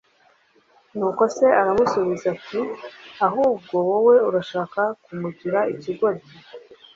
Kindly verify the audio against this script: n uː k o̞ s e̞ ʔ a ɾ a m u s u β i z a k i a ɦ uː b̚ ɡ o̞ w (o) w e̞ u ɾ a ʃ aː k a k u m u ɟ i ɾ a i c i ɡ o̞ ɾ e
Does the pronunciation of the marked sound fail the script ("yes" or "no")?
no